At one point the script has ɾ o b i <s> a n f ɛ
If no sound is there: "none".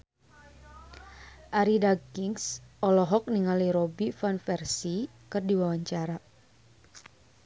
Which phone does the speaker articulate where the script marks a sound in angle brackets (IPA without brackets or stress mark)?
f